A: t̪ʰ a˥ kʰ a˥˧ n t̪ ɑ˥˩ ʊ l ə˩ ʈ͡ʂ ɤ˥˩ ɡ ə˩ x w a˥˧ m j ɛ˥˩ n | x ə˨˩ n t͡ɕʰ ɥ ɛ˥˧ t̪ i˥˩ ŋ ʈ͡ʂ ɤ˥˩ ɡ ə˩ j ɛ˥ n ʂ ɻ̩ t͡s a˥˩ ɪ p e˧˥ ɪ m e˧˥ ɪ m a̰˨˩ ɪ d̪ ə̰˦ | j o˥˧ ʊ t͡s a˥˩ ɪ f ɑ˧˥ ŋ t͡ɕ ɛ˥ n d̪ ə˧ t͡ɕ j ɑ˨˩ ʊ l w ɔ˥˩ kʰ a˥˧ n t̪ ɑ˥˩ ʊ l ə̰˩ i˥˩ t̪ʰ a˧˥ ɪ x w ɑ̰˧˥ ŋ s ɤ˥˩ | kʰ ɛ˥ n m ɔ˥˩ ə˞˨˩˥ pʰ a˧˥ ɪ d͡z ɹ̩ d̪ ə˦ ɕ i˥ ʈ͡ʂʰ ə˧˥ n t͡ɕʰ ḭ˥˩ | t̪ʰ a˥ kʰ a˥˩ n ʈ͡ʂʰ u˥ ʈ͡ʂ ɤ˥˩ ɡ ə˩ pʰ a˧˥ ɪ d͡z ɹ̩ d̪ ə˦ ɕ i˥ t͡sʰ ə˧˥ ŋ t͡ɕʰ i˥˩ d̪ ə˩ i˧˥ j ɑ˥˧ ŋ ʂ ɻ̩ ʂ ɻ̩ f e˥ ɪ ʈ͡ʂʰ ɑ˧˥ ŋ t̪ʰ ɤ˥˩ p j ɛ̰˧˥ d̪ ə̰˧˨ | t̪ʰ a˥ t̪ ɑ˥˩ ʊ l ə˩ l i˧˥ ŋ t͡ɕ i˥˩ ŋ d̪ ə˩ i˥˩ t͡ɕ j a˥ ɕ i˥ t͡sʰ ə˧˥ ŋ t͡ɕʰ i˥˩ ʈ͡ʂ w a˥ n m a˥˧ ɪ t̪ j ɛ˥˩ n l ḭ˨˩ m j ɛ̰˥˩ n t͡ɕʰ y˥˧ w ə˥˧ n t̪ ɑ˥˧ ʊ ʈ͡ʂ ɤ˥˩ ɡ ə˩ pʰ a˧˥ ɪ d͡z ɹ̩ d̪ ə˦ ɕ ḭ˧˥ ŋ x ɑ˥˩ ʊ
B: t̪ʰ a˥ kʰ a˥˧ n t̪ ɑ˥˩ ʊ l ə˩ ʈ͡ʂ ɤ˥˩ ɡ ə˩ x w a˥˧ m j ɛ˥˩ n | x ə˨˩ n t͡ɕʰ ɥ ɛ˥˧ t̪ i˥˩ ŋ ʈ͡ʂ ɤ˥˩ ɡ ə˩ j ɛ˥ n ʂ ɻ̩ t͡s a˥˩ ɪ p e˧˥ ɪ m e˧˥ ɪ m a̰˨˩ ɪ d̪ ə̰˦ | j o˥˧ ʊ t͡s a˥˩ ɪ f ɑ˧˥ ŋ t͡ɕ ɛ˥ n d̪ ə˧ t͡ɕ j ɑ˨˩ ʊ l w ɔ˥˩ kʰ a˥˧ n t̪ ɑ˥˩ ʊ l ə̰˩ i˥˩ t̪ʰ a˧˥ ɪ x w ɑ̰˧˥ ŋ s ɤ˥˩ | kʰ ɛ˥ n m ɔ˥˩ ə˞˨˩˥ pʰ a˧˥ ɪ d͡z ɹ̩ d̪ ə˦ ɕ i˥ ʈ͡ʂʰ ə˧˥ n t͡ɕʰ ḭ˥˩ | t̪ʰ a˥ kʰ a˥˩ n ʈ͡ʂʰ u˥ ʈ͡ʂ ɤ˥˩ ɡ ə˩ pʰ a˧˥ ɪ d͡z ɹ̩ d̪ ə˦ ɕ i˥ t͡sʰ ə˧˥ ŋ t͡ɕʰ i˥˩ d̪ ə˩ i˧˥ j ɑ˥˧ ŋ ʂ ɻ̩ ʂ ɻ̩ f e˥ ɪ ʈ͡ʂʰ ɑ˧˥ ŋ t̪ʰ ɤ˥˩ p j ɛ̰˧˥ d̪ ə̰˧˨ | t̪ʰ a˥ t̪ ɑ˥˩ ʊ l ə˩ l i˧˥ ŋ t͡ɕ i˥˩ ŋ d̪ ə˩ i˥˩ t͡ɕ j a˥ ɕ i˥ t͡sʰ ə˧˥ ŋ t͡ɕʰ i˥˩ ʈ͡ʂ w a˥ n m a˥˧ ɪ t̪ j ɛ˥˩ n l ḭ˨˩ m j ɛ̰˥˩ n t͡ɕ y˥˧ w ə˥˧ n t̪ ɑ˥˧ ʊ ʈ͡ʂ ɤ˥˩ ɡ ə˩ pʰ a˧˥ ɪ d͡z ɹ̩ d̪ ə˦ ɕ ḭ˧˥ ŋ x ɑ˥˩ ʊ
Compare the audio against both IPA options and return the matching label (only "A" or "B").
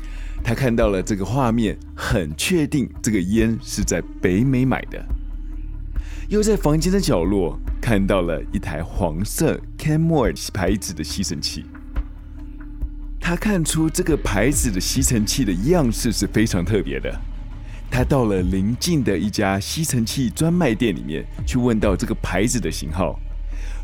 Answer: A